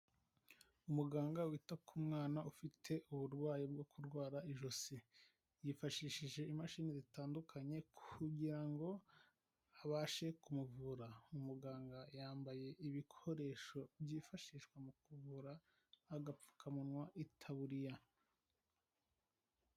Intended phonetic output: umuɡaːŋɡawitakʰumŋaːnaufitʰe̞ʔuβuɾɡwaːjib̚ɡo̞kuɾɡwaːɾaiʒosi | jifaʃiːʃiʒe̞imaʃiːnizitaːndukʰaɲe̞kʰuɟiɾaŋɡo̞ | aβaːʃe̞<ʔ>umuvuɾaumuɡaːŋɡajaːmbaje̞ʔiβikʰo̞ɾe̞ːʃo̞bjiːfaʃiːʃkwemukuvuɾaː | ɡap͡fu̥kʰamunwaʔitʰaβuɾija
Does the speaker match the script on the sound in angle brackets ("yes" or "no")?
no